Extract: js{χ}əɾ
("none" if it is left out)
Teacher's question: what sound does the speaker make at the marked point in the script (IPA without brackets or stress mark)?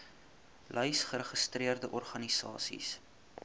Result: χ